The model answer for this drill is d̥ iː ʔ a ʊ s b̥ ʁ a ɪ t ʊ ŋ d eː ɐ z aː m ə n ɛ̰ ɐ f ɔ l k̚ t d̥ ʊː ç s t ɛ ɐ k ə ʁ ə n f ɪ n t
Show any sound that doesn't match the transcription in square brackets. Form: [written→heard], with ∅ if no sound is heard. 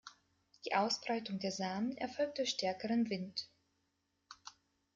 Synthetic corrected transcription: d̥ iː ʔ a ʊ s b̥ ʁ a ɪ t ʊ ŋ d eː ɐ z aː m ə n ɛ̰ ɐ f ɔ l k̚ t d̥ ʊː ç [s→ʃ] t ɛ ɐ k ə ʁ ə n [f→v] ɪ n t